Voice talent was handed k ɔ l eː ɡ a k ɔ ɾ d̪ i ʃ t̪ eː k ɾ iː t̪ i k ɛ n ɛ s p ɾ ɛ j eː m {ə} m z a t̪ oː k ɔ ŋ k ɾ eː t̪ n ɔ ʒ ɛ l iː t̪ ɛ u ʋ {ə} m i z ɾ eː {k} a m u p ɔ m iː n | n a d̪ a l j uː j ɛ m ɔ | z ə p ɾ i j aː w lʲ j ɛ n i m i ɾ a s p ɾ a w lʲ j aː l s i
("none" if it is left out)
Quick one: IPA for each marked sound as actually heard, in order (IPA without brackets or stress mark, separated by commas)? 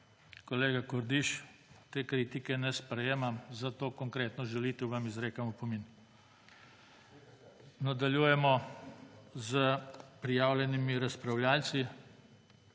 a, a, k